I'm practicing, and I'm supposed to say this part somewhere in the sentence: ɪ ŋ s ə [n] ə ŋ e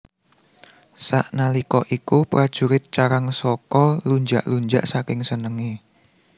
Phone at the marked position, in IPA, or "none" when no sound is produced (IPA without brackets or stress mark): n